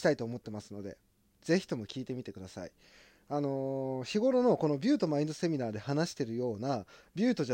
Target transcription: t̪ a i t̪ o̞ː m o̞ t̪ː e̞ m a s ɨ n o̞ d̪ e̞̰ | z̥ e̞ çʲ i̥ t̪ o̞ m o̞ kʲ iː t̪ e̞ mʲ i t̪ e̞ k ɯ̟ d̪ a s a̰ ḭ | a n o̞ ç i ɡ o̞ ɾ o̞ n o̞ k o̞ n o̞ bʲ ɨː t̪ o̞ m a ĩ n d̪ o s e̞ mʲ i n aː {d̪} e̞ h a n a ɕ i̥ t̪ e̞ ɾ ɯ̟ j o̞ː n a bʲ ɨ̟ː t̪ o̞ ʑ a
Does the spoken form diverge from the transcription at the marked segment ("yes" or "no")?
no